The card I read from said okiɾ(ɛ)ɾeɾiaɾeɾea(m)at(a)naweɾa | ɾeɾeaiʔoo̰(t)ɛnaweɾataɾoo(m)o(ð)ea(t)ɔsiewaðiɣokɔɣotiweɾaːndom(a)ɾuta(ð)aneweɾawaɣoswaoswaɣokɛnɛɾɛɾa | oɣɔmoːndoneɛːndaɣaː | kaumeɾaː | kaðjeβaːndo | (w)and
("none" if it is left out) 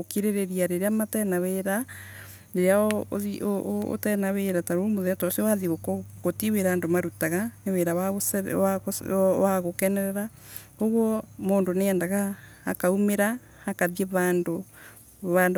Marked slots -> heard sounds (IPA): e, m, ɛ, t, m, ð, t, a, ɣ, β

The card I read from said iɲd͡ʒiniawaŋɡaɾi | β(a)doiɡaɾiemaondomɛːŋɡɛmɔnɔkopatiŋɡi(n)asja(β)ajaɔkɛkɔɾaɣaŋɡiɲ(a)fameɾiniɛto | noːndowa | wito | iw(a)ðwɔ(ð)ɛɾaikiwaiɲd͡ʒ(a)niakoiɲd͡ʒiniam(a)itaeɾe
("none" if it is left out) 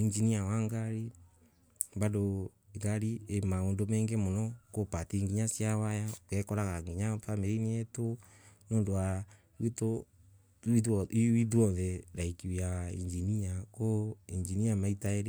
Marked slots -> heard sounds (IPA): a, ɲ, w, a, i, ð, i, a

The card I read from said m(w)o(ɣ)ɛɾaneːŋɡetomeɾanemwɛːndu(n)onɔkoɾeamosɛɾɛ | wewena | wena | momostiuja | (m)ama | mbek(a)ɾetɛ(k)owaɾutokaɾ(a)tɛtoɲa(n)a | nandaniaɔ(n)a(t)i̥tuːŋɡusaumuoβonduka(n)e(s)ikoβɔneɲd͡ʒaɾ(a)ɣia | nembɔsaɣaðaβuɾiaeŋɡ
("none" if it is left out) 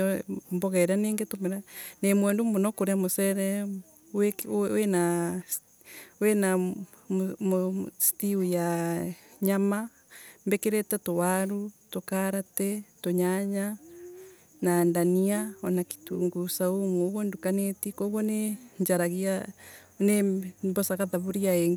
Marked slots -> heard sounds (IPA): b, ɣ, m, ɲ, e, t, a, ɲ, n, k, n, t, a

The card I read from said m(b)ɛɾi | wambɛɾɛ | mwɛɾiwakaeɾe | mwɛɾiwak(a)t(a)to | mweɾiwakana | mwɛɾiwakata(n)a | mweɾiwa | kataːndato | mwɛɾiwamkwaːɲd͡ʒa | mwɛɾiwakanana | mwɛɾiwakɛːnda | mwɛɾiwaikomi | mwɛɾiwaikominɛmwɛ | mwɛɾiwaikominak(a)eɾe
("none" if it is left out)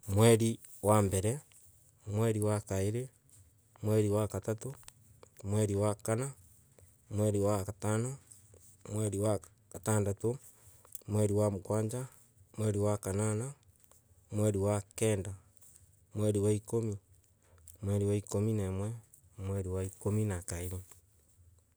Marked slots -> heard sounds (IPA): w, a, a, n, a

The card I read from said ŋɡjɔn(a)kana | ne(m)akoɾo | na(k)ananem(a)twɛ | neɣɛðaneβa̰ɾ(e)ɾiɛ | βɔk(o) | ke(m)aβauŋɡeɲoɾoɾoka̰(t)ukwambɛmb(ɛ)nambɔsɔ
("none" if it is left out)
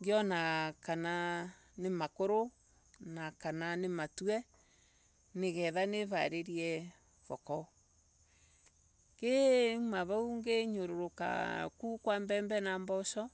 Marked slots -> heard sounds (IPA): a, m, k, a, e, ɔ, m, k, ɛ

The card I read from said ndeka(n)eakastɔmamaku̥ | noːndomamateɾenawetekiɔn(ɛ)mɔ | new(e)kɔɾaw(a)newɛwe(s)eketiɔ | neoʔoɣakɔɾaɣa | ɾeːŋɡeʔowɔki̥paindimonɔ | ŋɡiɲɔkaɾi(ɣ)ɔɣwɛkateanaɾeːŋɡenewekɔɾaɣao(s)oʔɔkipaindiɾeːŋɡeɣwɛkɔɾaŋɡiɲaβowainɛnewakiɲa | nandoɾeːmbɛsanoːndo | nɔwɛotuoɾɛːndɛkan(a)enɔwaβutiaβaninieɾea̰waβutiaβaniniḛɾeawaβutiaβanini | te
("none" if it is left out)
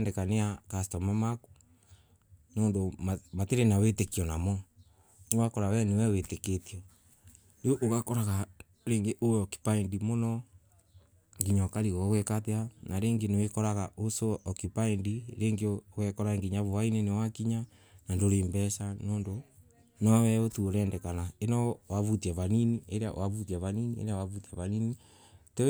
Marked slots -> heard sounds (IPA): n, a, a, ɛ, t, ɣ, s, a

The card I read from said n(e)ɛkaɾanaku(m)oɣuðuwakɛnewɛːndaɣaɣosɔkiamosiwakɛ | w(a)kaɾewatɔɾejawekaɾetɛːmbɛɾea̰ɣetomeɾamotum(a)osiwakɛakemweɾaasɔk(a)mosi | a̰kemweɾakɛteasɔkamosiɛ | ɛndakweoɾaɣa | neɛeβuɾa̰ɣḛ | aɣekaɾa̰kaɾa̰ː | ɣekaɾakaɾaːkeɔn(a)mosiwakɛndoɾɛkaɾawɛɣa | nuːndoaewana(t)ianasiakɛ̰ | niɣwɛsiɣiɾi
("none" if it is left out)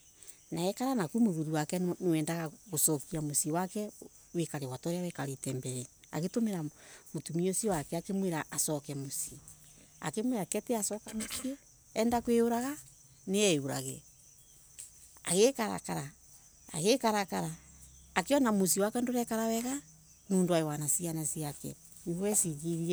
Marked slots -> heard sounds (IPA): a, m, e, i, ɛ, a, s

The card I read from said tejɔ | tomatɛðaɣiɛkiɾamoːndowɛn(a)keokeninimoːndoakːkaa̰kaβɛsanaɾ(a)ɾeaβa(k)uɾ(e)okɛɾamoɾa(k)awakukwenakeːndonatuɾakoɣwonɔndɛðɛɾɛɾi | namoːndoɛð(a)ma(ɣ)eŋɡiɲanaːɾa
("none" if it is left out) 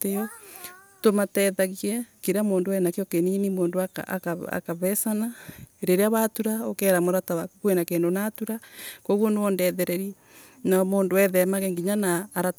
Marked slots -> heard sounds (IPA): a, e, t, a, t, ɛ, ɣ

